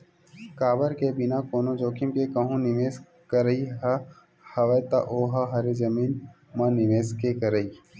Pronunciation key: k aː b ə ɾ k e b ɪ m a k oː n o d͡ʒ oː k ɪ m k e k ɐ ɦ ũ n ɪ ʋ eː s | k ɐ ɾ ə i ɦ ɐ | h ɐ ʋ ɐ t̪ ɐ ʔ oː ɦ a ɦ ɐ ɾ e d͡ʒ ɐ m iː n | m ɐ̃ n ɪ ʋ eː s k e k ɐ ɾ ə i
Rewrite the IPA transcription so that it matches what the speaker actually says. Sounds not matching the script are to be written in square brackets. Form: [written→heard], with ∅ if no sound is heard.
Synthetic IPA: k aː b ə ɾ k e b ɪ [m→n] a k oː n o d͡ʒ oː k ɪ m k e k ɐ ɦ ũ n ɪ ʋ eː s | k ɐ ɾ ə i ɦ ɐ | h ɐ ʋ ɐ t̪ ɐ ʔ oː ɦ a ɦ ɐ ɾ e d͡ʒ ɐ m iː n | m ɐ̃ n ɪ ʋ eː s k e k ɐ ɾ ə i